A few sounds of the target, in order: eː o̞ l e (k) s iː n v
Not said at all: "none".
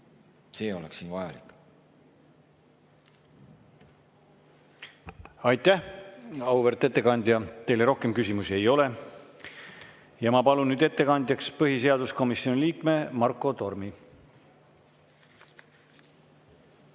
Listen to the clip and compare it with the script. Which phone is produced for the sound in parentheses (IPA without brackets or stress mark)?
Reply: k